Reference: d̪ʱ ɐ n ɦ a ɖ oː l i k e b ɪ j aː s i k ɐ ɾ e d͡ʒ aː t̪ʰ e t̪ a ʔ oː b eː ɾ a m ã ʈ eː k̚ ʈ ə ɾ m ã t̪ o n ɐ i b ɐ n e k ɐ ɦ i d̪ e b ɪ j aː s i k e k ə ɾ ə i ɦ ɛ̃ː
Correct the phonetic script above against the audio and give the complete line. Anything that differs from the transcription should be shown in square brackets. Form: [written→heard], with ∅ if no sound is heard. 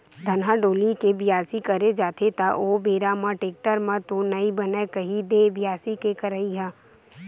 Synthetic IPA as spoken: d̪ʱ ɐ n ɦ a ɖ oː l i k e b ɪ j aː s i k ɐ ɾ e d͡ʒ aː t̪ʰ e t̪ a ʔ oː b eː ɾ a m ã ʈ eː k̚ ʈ ə ɾ m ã t̪ o n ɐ i b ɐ n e k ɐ ɦ i d̪ e b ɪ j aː s i k e k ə ɾ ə i ɦ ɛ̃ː